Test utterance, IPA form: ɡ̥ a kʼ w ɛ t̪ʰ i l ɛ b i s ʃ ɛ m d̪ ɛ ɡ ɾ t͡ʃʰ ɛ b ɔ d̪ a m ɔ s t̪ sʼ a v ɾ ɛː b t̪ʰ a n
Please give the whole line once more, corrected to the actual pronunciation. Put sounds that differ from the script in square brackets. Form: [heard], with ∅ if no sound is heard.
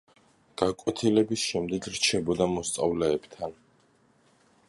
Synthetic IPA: ɡ̥ a kʼ w ɛ t̪ʰ i l ɛ b i s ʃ ɛ m d̪ ɛ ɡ ɾ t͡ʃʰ ɛ b ɔ d̪ a m ɔ s t̪ sʼ a v [l] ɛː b t̪ʰ a n